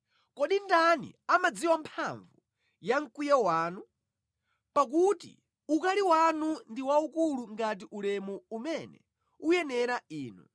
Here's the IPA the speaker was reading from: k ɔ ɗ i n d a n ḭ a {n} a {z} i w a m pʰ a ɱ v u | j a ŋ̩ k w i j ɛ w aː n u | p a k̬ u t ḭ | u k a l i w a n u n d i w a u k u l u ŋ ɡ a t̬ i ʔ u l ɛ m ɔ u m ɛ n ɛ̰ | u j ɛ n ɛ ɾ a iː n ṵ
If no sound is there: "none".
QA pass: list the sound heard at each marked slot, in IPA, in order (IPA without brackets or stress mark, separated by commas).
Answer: m, d͡z